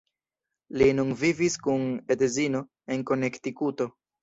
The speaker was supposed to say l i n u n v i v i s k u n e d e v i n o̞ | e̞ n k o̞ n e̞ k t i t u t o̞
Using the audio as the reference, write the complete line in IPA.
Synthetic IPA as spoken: l i n u n v i v i s k u n e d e z i n o̞ | e̞ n k o̞ n e̞ k t i k u t o̞